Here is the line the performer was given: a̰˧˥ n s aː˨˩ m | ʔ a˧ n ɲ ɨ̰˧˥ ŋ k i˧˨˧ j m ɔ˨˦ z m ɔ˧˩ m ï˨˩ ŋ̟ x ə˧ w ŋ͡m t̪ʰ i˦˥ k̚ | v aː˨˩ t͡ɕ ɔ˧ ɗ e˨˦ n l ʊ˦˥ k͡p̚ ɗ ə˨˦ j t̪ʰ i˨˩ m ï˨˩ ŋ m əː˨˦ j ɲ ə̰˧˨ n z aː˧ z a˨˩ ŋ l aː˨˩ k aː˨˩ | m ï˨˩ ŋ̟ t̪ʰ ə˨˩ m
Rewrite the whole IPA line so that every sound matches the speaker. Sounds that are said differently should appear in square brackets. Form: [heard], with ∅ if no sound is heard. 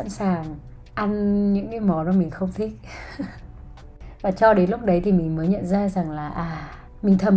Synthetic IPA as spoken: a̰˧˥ n s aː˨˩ [ŋ] | ʔ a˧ n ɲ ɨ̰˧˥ ŋ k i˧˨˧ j m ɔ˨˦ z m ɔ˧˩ m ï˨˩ ŋ̟ x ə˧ w ŋ͡m t̪ʰ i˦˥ k̚ | v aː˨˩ t͡ɕ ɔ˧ ɗ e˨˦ n l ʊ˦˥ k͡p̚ ɗ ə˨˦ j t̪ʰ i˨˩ m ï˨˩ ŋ m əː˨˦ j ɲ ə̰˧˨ n z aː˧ z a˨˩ ŋ l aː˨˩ [ʔ] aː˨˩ | m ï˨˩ ŋ̟ t̪ʰ ə˨˩ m